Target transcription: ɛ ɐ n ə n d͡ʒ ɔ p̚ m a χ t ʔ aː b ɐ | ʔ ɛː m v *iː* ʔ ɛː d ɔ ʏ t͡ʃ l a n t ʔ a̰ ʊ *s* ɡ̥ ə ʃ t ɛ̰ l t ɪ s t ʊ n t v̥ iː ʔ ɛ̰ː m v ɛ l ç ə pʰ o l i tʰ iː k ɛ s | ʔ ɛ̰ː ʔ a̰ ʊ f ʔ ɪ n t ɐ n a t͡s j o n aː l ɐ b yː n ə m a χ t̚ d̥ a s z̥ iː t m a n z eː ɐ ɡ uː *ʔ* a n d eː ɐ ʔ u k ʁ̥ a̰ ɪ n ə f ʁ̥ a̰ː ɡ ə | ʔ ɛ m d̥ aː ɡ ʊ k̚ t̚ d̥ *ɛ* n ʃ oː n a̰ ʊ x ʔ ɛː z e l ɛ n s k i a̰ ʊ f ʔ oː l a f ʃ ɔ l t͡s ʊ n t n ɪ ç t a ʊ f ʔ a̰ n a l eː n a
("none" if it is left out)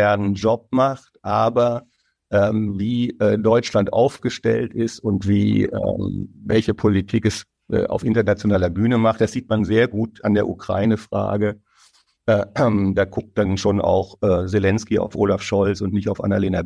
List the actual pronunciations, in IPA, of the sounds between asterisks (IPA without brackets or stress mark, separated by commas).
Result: iː, f, t, a